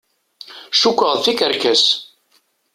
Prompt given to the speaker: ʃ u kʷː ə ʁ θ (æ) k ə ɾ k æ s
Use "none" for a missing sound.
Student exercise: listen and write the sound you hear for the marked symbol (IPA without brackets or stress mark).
i